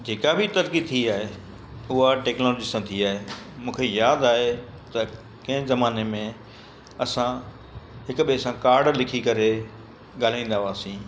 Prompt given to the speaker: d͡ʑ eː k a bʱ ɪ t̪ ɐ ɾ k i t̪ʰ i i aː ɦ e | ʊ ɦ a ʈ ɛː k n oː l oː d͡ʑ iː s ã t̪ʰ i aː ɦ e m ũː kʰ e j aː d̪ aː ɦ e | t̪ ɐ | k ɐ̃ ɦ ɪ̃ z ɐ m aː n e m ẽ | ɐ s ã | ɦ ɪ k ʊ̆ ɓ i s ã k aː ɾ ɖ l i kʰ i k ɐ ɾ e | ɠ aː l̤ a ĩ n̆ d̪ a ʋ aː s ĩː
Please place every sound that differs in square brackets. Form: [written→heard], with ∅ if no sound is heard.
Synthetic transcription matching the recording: d͡ʑ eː k a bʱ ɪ t̪ ɐ ɾ k i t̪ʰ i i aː ɦ e | ʊ ɦ a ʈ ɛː k n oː l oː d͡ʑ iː s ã t̪ʰ i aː ɦ e m ũː kʰ e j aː d̪ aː ɦ e | t̪ ɐ | k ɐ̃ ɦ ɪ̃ z ɐ m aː n e m ẽ | ɐ s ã | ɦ ɪ k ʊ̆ ɓ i s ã k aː ɾ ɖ l [i→ɪ] kʰ i k ɐ ɾ e | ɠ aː l̤ a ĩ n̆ d̪ a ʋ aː s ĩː